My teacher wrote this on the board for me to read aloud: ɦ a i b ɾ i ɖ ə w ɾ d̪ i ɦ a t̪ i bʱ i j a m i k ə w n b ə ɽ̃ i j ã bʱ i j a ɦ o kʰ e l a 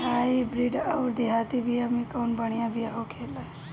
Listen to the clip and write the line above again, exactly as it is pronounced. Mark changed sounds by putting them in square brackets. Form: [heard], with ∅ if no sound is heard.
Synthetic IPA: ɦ a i b ɾ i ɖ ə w ɾ d̪ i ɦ a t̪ i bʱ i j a m i k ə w n b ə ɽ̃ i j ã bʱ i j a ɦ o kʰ e l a